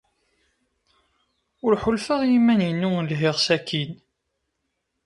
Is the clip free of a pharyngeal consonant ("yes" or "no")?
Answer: no